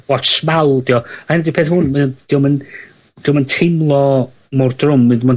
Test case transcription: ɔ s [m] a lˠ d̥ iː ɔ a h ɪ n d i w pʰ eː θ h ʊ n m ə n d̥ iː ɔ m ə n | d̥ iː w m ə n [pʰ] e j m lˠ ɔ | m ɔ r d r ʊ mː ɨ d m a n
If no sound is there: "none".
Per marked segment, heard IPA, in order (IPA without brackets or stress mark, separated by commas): m, tʰ